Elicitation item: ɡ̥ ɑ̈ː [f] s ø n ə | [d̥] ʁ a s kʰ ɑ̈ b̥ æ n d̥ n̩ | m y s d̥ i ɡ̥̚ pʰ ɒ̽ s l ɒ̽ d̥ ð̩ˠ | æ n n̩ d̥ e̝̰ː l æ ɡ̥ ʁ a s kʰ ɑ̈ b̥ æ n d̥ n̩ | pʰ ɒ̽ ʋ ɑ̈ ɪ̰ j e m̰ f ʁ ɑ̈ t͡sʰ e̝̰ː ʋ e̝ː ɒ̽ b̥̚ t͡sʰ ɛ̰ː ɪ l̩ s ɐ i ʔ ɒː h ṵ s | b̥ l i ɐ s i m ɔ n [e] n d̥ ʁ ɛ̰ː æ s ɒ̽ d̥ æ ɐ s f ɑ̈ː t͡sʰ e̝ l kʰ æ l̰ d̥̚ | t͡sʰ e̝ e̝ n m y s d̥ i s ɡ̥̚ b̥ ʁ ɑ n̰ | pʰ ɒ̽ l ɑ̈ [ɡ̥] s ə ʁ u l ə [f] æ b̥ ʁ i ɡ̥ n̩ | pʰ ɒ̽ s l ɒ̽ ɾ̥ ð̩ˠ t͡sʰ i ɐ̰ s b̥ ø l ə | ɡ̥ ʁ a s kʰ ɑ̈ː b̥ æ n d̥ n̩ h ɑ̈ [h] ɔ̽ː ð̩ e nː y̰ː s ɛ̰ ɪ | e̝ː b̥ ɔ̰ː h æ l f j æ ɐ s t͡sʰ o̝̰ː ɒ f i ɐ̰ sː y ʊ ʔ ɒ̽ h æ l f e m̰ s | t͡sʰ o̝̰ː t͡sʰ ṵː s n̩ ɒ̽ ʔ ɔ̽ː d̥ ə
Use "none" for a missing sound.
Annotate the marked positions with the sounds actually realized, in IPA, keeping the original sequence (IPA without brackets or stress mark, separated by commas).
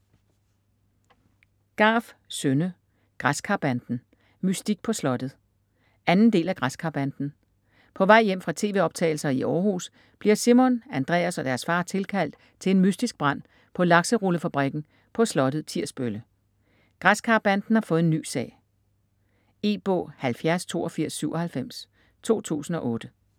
f, ɡ̥, æ, ɡ̥, f, f